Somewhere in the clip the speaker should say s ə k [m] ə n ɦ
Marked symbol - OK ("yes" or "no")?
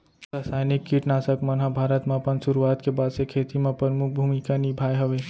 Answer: yes